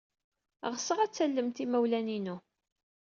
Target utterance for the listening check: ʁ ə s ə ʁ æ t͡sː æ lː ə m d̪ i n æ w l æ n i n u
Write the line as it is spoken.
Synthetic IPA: ʁ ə s ə ʁ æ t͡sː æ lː ə m t̪ i m æ w l æ n i n u